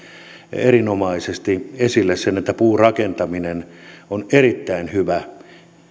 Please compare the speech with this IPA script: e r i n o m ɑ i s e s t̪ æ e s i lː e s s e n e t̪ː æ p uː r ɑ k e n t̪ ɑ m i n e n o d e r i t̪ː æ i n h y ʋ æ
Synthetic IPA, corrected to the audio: e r i n o m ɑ i s e s t̪ i e s i lː e s s e n e t̪ː æ p uː r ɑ k e n t̪ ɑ m i n e n o n e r i t̪ː æ i n h y ʋ æ